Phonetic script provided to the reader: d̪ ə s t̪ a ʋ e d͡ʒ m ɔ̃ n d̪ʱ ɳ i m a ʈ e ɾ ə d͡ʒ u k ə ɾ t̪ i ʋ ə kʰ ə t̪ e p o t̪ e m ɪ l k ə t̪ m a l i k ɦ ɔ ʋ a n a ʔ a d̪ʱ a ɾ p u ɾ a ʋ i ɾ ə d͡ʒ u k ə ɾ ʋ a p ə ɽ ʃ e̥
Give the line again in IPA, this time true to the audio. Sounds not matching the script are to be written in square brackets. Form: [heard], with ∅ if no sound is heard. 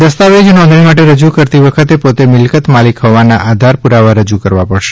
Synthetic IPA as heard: d̪ ə s t̪ a ʋ e d͡ʒ [n] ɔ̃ n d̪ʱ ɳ i m a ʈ e ɾ ə d͡ʒ u k ə ɾ t̪ i ʋ ə kʰ ə t̪ e p o t̪ e m ɪ l k ə t̪ m a l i k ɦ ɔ ʋ a n a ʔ a d̪ʱ a ɾ p u ɾ a ʋ [a] ɾ ə d͡ʒ u k ə ɾ ʋ a p ə ɽ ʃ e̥